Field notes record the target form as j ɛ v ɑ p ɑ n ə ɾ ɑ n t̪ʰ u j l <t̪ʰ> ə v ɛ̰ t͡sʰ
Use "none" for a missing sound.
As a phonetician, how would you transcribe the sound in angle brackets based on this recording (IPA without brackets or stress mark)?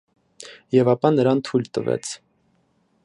t̪